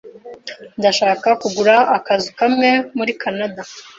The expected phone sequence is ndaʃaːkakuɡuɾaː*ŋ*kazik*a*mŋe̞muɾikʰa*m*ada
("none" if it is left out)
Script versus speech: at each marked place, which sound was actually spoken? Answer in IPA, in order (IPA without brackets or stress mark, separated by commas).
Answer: none, a, n